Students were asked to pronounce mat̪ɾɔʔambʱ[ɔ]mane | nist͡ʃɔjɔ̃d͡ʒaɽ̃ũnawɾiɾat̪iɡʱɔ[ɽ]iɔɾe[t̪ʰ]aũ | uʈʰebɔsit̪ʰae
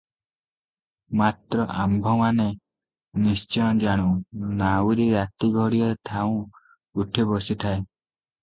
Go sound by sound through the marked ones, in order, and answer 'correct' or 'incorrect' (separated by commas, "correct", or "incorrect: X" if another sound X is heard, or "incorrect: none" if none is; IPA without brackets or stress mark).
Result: correct, correct, correct